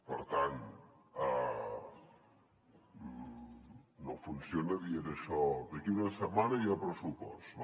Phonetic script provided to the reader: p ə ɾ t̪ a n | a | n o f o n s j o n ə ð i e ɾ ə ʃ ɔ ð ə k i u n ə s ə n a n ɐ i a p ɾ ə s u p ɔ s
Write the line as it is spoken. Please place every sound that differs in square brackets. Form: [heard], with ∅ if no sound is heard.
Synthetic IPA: p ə ɾ t̪ a n | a | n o f [u] n s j o n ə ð i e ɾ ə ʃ ɔ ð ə k i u n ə s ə [m] a n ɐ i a p ɾ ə s u p ɔ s

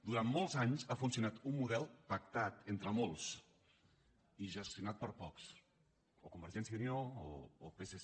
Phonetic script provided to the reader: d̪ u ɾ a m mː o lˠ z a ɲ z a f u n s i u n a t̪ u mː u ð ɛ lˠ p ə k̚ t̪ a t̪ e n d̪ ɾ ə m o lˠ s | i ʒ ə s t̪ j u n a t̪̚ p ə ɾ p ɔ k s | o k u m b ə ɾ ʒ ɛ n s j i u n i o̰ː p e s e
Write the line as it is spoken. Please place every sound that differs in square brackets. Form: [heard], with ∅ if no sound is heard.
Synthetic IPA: d̪ u ɾ a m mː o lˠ z a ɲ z a f u n s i u n a t̪ u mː u ð ɛ lˠ p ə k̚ t̪ a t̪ e n [t̪] ɾ ə m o lˠ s | i ʒ ə s t̪ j u n a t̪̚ p ə ɾ p ɔ k s | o k u m b ə ɾ ʒ ɛ n s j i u n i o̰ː p e s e

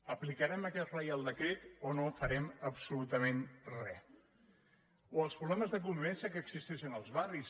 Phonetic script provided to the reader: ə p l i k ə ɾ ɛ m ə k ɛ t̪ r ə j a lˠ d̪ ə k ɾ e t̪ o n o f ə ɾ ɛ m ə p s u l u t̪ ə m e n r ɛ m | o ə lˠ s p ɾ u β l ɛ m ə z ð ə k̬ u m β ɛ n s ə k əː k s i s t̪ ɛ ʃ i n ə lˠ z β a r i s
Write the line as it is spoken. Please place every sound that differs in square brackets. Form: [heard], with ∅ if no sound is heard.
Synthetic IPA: ə p l i k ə ɾ ɛ m ə k ɛ t̪ r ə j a lˠ d̪ ə k ɾ e t̪ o n o f ə ɾ ɛ m ə p s u l u t̪ ə m e n r ɛ [∅] | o ə lˠ s p ɾ u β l ɛ m ə z ð ə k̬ u m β ɛ n s ə k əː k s i s t̪ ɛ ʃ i n ə lˠ z β a r i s

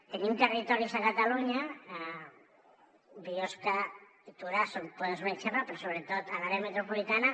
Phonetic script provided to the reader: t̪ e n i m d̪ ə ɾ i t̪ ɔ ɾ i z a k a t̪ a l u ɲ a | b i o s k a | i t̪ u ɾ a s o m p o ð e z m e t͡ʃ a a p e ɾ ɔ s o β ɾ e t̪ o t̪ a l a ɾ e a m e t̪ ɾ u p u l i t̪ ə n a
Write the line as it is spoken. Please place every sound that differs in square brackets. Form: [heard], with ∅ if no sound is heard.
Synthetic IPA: t̪ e n i m [t̪] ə [r] i t̪ ɔ ɾ i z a k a t̪ a l u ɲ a | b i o s k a | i t̪ u ɾ a s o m p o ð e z m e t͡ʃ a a p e ɾ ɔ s o β ɾ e t̪ o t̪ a l a ɾ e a m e t̪ ɾ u p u l i t̪ [a] n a

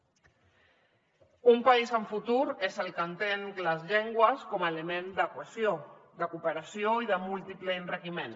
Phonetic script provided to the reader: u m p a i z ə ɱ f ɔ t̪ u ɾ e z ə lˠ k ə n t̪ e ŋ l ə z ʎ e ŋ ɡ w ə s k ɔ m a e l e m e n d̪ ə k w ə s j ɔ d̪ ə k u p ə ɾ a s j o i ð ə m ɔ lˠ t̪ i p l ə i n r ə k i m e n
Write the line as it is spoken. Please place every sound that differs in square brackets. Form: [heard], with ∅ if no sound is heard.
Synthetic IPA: u m p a i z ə ɱ f [u] t̪ u ɾ e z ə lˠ k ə n t̪ e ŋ l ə z ʎ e ŋ ɡ w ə s k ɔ m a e l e m e n d̪ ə k w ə s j [o] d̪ ə k u p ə ɾ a s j o i ð ə m [u] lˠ t̪ i p l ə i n r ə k i m e n

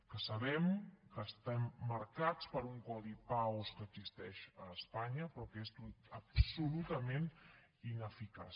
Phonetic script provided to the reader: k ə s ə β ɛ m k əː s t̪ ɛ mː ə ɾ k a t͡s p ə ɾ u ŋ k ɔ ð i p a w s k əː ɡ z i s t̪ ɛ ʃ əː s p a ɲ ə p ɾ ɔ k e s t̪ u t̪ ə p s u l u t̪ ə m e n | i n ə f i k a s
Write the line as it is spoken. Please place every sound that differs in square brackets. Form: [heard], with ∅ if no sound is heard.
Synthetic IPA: k ə s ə β ɛ m k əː s t̪ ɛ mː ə ɾ k a t͡s p ə ɾ u ŋ k ɔ ð i p a w s k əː ɡ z i s t̪ ɛ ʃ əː s p a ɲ ə p ɾ ɔ k e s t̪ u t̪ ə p s u l u t̪ ə m e n | i n ə f i k a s

